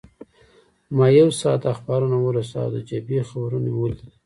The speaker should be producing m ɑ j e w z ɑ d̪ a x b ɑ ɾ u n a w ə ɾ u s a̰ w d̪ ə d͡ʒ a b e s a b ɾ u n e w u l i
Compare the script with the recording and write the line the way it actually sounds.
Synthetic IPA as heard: m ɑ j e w s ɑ t̪ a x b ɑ ɾ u n a w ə ɾ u s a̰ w d̪ ə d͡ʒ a b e x a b ɾ u n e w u l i